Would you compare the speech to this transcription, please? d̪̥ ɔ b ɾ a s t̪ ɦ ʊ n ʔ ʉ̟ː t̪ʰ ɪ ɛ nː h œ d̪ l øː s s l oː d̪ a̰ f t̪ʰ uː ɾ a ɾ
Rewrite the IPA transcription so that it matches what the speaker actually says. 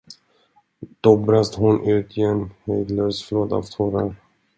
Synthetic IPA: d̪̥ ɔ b ɾ a s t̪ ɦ ʊ n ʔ ʉ̟ː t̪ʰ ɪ ɛ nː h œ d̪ l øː s f l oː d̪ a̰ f t̪ʰ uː ɾ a ɾ